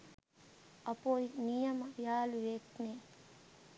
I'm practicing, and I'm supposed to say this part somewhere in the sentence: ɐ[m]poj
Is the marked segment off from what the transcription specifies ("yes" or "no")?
yes